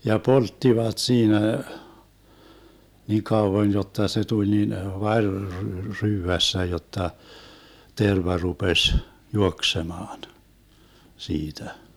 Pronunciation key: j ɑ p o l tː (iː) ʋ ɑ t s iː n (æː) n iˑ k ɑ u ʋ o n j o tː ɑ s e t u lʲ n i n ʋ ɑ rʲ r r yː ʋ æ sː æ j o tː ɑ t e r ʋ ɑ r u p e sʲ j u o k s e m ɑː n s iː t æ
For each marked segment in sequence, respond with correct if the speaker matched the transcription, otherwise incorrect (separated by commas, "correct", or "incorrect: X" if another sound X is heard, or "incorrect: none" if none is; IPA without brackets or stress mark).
incorrect: i, incorrect: æ